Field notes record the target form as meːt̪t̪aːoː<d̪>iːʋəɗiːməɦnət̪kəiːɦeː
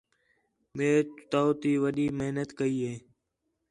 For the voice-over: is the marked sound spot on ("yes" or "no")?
no